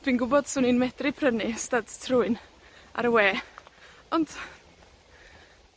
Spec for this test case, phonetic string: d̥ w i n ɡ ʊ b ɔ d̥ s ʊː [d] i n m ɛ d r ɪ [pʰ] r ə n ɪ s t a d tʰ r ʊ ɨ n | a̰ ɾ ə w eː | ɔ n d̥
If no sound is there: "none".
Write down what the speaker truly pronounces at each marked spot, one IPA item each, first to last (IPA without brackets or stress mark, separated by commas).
n, pʰ